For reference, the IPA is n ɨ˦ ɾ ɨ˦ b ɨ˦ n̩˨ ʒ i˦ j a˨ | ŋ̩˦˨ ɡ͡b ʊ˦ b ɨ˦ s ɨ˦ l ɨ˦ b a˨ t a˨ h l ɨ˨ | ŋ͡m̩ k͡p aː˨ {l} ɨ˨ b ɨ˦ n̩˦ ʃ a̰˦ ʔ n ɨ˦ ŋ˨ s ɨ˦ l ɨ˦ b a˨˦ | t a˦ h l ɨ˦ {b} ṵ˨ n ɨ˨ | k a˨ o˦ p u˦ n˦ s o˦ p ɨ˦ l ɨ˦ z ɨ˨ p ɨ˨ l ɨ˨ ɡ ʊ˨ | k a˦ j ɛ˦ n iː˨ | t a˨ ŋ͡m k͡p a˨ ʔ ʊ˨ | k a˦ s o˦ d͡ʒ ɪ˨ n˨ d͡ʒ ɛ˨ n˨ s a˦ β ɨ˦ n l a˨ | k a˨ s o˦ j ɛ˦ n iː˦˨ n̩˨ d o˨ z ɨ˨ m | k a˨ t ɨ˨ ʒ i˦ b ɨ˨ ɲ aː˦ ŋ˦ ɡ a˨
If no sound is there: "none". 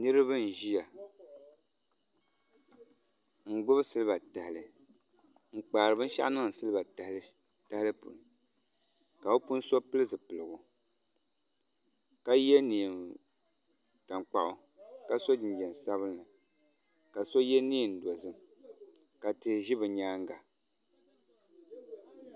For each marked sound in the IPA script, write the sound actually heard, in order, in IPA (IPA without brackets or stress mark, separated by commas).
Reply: ɾ, p